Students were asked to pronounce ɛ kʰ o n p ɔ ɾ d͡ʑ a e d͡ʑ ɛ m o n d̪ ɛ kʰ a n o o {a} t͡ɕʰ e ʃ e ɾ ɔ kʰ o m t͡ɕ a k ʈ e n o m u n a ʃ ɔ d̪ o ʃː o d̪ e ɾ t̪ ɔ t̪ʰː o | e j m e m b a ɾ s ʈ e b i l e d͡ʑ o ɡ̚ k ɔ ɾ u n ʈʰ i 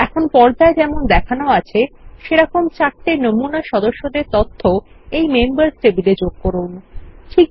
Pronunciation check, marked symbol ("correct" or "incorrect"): correct